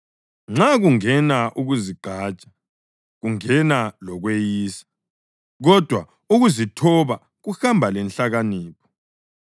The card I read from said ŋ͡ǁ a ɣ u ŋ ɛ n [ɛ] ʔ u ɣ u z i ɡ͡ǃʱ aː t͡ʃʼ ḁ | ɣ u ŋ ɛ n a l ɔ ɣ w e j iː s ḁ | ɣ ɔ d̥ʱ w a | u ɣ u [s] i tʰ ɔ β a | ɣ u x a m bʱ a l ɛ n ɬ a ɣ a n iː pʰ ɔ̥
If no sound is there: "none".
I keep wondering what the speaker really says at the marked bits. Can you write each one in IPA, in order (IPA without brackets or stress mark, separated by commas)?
a, z